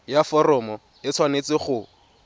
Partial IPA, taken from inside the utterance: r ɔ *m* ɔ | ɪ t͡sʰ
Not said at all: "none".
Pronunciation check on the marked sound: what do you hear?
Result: m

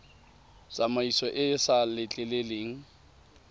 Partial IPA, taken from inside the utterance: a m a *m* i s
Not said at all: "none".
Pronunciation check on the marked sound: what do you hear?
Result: none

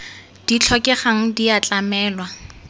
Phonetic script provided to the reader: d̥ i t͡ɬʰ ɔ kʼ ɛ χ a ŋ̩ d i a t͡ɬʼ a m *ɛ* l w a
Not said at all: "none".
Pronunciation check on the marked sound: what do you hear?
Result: ɛː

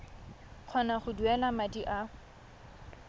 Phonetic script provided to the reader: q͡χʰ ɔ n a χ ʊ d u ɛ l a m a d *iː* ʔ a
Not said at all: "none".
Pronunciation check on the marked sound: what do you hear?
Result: i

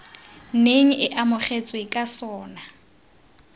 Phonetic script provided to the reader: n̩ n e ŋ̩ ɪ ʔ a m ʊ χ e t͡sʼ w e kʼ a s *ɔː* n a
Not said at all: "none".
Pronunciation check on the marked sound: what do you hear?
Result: ɔː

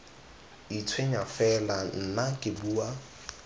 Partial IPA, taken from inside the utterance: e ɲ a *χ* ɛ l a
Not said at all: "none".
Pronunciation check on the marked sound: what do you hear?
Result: f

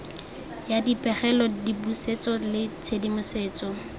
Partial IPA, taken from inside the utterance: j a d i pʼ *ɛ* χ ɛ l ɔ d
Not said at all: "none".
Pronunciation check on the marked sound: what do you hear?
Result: ɛ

